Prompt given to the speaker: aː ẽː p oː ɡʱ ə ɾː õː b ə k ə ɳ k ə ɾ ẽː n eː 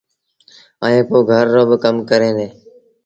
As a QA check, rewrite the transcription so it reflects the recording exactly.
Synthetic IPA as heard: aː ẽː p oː ɡʱ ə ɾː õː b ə k ə m k ə ɾ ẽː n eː